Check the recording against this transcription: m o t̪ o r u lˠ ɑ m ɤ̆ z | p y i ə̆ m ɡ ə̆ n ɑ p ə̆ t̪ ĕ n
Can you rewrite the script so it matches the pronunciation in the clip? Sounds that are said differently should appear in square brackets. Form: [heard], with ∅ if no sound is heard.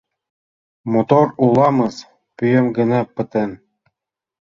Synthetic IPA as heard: m o t̪ o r u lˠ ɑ m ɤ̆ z | p y [j] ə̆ m ɡ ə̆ n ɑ p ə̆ t̪ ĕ n